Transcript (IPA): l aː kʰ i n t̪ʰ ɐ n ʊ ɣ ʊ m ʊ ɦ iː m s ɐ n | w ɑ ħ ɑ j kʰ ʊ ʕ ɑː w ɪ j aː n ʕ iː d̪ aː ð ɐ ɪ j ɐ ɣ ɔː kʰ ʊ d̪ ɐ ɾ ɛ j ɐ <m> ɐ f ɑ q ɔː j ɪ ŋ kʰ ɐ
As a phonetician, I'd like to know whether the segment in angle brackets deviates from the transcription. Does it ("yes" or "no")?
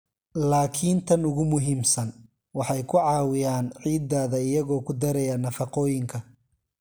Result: yes